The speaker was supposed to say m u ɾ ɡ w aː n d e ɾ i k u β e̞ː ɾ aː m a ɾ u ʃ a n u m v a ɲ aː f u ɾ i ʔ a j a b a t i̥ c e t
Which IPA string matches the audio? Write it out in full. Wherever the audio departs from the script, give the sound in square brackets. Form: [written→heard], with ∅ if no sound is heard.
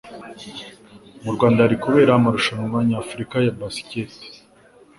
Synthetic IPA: m u ɾ ɡ w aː n d [e→a] ɾ i k u β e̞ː ɾ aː m a ɾ u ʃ a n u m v a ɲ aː f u ɾ i [ʔ→k] a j a b a [t→s] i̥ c e t